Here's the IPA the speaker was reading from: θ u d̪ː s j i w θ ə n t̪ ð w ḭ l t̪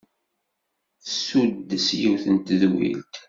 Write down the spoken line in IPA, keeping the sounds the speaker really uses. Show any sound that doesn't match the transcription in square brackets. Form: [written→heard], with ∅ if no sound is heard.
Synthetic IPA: [θ→s] u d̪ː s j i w θ ə n t̪ ð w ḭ l t̪

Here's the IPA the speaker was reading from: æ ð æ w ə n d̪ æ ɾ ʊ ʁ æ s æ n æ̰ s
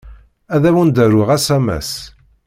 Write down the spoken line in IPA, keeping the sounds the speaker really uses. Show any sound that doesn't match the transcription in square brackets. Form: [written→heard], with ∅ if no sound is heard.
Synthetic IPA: æ ð æ w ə n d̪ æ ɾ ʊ ʁ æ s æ [n→m] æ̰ s

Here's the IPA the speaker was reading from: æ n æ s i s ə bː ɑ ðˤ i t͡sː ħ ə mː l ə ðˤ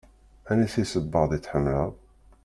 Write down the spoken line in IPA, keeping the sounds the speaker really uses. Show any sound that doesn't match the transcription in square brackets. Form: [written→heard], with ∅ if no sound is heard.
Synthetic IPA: æ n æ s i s ə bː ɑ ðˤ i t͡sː ħ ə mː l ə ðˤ

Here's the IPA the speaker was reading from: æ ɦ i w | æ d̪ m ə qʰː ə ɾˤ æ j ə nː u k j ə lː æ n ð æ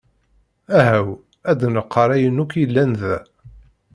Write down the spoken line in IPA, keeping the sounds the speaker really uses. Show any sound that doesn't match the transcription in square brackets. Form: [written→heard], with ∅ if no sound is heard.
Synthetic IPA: æ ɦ [i→æ] w | æ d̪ [m→n] ə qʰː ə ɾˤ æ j ə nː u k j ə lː æ n ð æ

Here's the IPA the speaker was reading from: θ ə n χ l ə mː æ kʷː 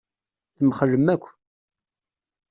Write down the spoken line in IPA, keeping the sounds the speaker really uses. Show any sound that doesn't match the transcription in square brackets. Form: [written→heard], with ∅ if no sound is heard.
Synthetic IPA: θ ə [n→m] χ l ə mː æ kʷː

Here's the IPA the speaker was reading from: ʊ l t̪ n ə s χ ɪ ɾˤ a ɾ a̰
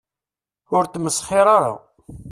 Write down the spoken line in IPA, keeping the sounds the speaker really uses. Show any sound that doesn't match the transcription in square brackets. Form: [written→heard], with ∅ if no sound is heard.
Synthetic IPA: ʊ [l→ɾ] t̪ [n→m] ə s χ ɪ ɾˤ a ɾ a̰

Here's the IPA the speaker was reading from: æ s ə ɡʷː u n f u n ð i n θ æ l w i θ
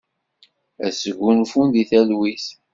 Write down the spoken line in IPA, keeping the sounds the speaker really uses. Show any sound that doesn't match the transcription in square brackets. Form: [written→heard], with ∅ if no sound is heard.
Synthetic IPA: æ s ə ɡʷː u n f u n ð i [n→∅] θ æ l w i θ

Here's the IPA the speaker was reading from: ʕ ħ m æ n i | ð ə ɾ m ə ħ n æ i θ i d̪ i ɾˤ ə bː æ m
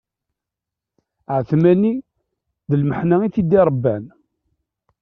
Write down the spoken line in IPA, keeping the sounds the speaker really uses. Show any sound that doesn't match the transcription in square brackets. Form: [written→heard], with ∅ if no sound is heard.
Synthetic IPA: ʕ [ħ→θ] m æ n i | ð ə [ɾ→l] m ə ħ n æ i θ i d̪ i ɾˤ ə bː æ [m→n]

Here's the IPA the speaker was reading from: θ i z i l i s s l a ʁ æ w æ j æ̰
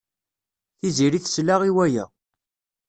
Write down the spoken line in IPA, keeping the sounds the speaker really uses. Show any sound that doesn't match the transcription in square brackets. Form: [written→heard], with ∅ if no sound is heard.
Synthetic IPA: θ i z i [l→ɾ] i [s→θ] s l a ʁ [æ→i] w æ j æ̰

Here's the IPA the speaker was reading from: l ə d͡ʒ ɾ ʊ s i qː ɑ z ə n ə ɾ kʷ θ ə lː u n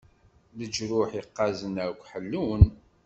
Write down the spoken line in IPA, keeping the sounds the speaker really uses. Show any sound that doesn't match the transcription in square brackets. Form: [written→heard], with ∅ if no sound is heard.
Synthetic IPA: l ə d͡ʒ ɾ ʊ [s→ħ] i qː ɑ z ə n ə ɾ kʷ [θ→ħ] ə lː u n

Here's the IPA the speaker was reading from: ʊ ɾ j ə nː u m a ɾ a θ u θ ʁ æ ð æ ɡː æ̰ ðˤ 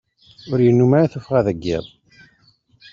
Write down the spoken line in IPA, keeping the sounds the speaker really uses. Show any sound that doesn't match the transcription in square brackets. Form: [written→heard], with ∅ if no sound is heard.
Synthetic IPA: ʊ ɾ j ə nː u m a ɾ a θ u [θ→f] ʁ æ ð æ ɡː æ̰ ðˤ

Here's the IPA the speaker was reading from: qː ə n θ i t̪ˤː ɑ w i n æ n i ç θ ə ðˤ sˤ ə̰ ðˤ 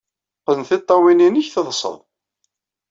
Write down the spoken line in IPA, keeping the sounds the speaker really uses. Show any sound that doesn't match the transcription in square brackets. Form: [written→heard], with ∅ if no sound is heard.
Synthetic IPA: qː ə n θ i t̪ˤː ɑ w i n [æ→i] n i ç θ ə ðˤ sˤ ə̰ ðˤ

